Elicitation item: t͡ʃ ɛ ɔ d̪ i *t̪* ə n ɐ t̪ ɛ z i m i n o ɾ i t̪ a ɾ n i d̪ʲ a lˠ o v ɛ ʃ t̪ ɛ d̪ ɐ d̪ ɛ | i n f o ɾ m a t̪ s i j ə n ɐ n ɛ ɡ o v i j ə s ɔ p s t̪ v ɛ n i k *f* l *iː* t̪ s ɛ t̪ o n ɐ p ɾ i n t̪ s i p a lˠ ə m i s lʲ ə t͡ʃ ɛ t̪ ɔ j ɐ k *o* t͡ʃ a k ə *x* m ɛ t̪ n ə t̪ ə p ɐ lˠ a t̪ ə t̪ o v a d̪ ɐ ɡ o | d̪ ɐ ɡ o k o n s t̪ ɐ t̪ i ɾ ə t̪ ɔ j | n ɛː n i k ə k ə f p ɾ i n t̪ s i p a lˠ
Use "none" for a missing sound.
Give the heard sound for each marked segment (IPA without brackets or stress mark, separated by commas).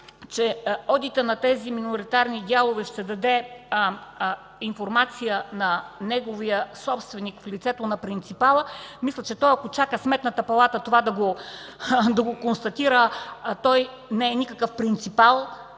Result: t̪, f, i, o, s